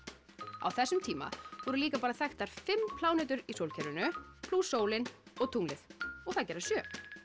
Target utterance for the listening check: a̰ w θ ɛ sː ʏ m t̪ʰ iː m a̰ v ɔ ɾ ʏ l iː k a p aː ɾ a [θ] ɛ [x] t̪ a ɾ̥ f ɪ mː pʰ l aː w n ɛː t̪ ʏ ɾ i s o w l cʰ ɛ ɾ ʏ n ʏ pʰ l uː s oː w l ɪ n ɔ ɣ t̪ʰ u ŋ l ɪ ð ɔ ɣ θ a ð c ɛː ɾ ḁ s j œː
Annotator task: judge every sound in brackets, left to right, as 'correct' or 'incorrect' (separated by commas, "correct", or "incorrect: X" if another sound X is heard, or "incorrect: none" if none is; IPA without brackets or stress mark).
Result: correct, correct